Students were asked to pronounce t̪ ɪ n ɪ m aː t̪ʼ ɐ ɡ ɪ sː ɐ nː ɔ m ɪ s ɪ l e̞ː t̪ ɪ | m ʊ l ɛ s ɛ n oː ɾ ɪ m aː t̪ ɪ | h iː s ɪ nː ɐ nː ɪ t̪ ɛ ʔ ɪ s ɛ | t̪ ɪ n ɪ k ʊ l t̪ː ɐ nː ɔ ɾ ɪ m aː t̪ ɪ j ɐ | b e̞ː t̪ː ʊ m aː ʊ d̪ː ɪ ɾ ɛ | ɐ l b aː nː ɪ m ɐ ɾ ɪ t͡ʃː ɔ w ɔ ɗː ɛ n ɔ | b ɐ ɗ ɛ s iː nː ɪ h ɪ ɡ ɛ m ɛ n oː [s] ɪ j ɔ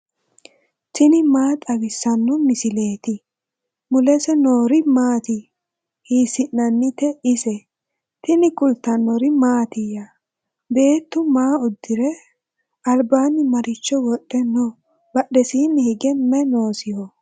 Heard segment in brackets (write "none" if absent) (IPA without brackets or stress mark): s